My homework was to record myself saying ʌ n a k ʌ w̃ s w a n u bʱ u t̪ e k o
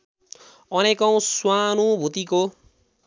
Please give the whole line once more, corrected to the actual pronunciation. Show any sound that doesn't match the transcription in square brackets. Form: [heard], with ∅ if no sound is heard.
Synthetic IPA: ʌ n [e] k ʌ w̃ s w a n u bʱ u t̪ [i] k o

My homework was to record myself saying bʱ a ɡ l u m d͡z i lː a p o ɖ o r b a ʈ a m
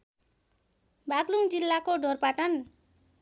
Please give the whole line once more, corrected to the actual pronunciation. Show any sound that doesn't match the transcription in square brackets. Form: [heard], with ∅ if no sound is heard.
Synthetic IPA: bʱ a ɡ l u [ŋ] d͡z i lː a [k] o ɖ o r [p] a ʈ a [n]

